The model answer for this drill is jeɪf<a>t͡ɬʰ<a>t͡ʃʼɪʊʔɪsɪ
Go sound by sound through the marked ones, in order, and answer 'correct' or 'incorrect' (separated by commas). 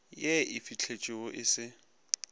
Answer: incorrect, incorrect